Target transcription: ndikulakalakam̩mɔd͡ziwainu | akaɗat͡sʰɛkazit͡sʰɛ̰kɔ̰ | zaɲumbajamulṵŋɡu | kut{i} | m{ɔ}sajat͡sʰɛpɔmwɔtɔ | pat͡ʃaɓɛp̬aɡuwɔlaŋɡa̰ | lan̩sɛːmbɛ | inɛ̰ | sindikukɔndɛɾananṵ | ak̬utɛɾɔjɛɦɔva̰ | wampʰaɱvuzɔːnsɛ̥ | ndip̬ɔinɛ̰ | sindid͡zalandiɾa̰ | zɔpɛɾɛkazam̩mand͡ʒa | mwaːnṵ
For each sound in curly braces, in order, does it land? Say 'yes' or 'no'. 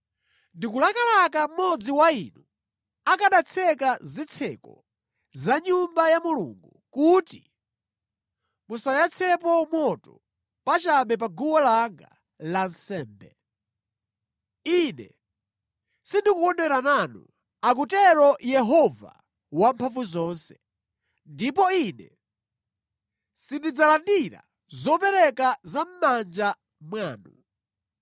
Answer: yes, no

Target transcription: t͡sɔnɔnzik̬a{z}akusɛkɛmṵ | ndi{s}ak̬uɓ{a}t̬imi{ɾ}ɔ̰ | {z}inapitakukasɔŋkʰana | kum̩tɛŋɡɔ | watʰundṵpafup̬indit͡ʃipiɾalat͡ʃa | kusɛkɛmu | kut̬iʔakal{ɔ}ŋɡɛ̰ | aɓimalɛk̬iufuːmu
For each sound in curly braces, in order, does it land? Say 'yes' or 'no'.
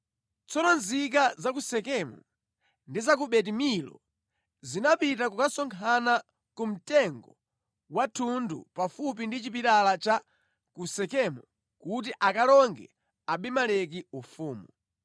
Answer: yes, no, no, no, yes, yes

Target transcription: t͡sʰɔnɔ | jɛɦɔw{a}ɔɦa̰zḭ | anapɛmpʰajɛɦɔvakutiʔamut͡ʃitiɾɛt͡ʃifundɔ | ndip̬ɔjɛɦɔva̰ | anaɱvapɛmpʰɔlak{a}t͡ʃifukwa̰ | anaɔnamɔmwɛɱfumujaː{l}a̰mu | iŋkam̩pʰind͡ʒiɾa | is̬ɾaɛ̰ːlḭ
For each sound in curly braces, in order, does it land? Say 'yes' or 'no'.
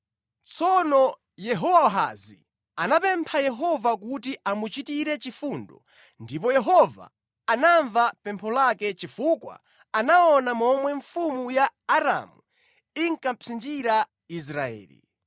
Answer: yes, no, no

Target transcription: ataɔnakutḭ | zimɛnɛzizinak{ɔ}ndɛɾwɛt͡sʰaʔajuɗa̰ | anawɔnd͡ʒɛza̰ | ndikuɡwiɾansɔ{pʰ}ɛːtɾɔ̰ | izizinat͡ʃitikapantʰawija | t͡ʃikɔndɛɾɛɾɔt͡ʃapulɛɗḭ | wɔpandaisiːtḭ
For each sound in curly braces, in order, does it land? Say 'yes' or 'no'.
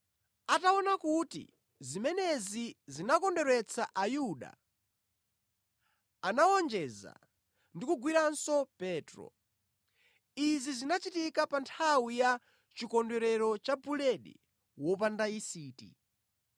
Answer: yes, no

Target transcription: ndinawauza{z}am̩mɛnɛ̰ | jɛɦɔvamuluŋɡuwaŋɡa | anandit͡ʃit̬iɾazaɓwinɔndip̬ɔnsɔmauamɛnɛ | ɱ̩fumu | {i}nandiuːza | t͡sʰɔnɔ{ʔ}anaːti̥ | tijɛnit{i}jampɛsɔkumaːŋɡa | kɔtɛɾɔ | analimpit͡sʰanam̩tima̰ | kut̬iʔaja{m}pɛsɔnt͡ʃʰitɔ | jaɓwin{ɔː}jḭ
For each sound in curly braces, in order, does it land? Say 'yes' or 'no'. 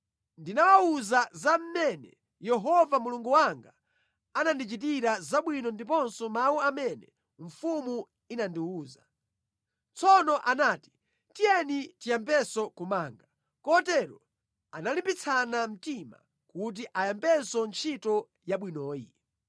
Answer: yes, yes, yes, yes, yes, yes

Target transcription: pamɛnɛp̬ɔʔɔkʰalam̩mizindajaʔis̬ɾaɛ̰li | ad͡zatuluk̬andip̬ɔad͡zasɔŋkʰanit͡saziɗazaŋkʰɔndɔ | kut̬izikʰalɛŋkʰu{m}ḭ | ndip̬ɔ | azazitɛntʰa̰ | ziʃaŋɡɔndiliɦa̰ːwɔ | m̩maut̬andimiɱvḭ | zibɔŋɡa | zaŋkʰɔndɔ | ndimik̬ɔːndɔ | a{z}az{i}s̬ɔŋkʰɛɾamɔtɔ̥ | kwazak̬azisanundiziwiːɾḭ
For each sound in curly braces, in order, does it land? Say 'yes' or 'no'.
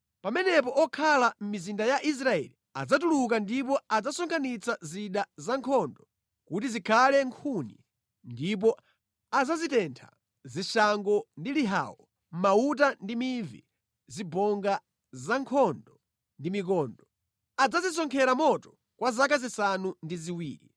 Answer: no, no, yes

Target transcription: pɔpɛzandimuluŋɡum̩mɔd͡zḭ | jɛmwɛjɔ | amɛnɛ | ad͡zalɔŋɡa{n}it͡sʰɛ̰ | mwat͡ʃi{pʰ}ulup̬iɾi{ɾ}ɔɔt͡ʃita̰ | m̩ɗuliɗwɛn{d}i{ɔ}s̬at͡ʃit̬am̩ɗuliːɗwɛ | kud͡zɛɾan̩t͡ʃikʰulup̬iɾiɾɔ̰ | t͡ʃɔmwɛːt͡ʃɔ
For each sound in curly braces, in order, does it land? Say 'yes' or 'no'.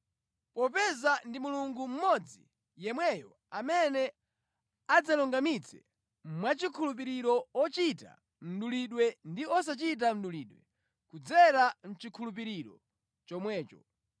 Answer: no, no, yes, yes, yes

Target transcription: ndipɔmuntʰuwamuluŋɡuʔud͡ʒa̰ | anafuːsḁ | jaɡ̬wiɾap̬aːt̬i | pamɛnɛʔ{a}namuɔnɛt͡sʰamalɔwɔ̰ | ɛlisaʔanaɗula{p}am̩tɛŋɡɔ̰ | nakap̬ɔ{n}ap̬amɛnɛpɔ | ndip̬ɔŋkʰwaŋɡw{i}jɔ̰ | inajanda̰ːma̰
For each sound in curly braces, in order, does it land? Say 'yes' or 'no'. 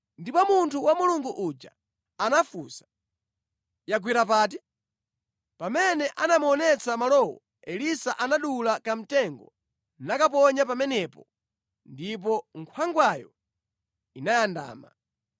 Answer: yes, no, no, no

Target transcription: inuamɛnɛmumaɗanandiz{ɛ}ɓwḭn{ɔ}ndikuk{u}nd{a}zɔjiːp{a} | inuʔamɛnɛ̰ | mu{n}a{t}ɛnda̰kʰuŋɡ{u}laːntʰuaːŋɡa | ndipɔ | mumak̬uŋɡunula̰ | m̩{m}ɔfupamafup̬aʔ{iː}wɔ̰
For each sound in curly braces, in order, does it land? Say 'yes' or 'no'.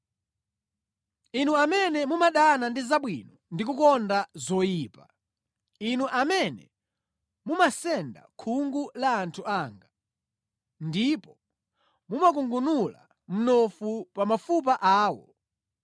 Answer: no, yes, no, yes, yes, no, no, yes, no, no

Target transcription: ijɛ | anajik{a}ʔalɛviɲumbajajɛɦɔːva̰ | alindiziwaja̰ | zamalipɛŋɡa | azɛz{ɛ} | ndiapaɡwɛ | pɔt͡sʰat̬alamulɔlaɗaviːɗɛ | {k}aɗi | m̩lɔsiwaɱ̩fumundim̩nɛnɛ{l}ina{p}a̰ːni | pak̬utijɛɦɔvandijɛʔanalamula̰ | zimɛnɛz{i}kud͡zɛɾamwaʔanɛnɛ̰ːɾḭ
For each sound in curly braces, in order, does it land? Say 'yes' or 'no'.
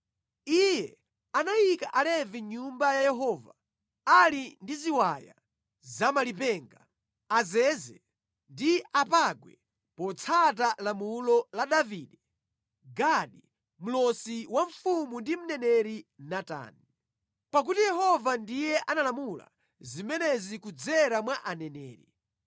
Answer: yes, yes, no, no, no, yes

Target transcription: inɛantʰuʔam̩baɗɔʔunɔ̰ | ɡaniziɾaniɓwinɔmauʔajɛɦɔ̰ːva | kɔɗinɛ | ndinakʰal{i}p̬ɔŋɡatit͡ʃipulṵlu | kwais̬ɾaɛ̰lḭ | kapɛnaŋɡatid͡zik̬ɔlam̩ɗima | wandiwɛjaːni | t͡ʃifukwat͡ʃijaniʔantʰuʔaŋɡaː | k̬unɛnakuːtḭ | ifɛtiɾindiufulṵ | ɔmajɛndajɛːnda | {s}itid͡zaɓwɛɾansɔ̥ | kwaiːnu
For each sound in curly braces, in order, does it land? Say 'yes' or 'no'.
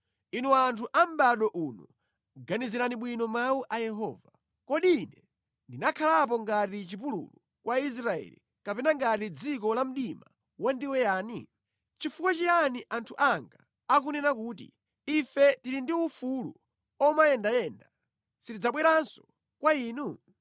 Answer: no, yes

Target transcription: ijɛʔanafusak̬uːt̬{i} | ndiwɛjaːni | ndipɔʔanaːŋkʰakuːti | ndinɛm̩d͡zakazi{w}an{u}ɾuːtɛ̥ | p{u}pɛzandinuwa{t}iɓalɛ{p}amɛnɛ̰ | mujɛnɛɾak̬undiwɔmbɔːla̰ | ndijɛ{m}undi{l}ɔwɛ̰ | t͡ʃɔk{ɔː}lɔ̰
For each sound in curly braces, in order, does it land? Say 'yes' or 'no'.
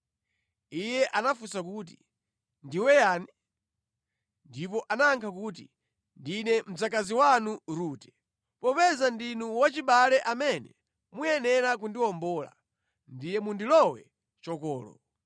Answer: yes, yes, yes, no, no, no, yes, yes, yes

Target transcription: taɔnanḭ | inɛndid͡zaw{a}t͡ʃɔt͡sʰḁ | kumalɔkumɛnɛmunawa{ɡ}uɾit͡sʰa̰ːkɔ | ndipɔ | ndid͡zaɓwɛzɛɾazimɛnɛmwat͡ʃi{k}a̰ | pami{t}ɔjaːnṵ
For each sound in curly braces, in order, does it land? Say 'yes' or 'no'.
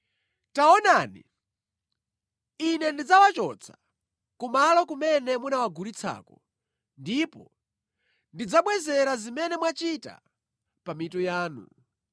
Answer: yes, yes, no, yes

